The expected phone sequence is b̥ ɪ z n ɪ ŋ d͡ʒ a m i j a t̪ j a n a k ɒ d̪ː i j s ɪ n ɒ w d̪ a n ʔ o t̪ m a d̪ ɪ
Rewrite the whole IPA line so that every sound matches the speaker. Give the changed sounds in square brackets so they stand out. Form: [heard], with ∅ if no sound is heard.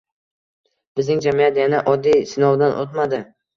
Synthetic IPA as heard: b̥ ɪ z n ɪ ŋ d͡ʒ a m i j a t̪ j a n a [ʔ] ɒ d̪ː i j s ɪ n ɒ w d̪ a n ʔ o t̪ m a d̪ ɪ